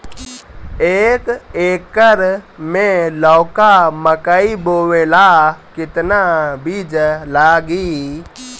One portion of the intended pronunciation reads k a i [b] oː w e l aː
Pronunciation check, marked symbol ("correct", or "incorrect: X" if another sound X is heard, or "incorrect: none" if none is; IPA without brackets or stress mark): correct